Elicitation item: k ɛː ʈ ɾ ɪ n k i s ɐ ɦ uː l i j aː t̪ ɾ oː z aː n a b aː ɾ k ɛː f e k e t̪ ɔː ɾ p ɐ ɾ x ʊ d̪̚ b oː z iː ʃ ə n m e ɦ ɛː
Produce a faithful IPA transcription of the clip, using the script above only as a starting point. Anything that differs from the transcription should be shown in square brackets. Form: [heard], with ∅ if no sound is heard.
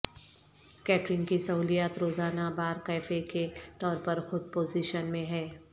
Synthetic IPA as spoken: k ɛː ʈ ɾ ɪ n k i s ɐ ɦ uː l i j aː t̪ ɾ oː z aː n a b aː ɾ k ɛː f e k e t̪ ɔː ɾ p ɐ ɾ x ʊ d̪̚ [p] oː z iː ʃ ə n m [ẽ] ɦ ɛː